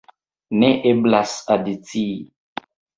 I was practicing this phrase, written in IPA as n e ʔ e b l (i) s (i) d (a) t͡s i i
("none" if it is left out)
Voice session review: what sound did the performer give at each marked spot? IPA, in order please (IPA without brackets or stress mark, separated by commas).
a, a, i